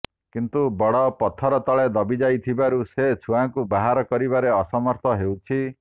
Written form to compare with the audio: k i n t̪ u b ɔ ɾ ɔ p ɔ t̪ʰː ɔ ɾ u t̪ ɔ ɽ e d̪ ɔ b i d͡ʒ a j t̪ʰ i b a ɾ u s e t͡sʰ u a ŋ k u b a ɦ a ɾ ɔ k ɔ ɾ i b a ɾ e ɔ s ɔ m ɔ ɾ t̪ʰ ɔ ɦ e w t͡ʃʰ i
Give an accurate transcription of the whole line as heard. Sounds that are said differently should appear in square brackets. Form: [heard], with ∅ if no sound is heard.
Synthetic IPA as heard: k i n t̪ u b ɔ [ɽ] ɔ p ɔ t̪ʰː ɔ ɾ [ɔ] t̪ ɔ [ɭ] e d̪ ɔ b i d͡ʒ a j t̪ʰ i b a ɾ u s e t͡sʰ u a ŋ k u b a ɦ a ɾ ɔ k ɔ ɾ i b a ɾ e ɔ s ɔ m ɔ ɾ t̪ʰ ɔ ɦ e w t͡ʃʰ i